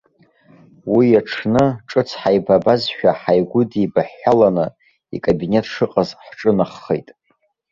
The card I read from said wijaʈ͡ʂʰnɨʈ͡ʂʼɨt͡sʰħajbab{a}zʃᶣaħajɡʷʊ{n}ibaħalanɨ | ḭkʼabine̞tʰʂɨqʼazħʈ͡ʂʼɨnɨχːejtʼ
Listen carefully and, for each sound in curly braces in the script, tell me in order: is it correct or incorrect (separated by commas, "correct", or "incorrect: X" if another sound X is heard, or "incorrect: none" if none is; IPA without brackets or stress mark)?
correct, incorrect: d